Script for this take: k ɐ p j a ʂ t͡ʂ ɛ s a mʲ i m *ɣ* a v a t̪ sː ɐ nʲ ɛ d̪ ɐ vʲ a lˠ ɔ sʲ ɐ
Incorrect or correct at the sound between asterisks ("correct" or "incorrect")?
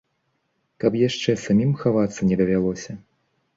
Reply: incorrect